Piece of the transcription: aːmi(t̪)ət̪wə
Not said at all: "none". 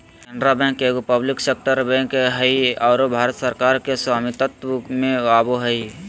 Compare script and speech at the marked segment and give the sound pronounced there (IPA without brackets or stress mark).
t̪